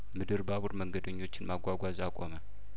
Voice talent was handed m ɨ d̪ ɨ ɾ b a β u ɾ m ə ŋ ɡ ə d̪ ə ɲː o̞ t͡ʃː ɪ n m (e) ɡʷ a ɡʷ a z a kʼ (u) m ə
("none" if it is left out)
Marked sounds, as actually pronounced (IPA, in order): a, o

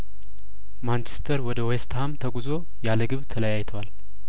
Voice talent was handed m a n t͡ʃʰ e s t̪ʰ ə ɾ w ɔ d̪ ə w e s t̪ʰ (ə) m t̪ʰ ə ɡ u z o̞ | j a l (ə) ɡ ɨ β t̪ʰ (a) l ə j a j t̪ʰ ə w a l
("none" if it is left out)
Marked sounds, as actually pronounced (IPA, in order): a, ə, ə

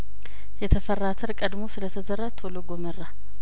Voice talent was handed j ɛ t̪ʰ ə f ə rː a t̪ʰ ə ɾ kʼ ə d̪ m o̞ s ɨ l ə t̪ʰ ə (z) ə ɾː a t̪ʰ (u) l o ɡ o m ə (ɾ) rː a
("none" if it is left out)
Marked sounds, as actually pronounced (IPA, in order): z, o, none

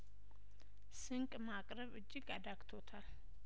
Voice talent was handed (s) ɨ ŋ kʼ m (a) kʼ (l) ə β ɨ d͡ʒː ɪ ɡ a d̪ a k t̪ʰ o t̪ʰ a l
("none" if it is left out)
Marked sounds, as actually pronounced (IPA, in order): s, a, ɾ

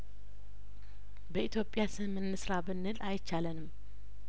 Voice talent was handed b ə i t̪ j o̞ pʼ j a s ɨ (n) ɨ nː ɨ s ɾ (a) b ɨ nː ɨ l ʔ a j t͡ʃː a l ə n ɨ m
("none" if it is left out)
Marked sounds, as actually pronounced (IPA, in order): m, a

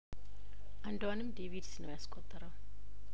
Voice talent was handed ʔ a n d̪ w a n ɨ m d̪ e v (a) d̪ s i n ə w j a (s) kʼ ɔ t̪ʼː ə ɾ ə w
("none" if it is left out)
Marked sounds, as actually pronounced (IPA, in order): i, s

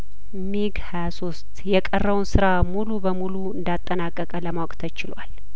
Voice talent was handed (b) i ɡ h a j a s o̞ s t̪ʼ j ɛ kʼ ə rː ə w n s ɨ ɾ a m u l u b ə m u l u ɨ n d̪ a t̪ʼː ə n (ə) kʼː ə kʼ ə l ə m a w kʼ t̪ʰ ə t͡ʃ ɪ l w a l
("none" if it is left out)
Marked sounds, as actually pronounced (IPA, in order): m, a

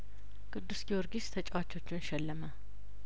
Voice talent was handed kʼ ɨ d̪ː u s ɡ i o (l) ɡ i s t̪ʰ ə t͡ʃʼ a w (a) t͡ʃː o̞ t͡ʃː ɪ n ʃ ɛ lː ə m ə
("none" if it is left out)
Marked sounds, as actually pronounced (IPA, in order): ɾ, a

